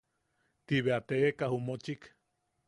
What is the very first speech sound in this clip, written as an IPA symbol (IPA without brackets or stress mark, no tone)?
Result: t̪